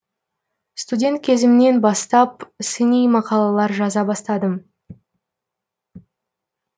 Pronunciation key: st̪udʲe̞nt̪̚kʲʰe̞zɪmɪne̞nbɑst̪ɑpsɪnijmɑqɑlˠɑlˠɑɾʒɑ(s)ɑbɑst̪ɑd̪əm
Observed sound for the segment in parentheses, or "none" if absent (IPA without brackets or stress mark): z